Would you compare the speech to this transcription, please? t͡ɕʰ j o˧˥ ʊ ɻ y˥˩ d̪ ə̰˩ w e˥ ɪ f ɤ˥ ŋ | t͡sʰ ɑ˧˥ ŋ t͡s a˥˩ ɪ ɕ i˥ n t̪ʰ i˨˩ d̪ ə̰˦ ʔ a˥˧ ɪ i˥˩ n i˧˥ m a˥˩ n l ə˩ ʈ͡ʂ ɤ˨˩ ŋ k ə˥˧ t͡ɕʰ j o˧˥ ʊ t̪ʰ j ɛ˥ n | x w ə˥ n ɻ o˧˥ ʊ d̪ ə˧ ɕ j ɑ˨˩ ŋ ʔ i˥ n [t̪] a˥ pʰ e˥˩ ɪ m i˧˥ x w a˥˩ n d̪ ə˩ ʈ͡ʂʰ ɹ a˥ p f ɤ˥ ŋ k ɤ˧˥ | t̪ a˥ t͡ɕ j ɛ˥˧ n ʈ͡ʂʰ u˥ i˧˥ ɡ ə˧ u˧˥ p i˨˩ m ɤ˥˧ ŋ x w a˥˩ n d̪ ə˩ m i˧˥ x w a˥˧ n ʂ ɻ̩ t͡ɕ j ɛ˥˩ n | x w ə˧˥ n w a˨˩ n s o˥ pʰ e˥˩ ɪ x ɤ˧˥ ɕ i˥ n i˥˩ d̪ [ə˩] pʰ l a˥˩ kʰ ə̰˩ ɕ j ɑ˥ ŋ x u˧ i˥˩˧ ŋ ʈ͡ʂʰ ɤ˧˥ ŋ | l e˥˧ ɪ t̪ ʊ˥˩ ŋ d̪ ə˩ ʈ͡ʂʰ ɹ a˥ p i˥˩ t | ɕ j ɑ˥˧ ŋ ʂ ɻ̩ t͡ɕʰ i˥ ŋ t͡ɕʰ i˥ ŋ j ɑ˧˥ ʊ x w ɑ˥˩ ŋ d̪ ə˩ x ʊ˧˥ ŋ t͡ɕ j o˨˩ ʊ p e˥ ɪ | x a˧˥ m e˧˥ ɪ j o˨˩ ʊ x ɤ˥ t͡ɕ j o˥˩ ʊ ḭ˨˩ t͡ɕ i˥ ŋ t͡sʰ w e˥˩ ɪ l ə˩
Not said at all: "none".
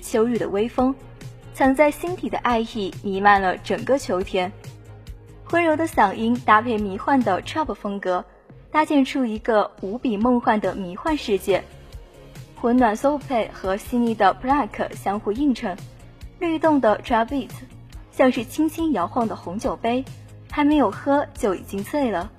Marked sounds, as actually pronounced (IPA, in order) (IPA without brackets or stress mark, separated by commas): t̪, ə˩